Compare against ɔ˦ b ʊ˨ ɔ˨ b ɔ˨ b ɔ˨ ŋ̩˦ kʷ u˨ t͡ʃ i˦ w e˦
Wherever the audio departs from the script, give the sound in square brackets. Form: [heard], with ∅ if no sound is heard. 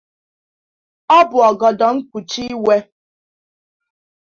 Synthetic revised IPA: ɔ˦ b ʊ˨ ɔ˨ [ɡ] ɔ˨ [d] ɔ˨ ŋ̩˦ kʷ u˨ t͡ʃ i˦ w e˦